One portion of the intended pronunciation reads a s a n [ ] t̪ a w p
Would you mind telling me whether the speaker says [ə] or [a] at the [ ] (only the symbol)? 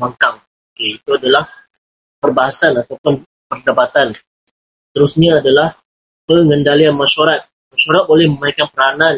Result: a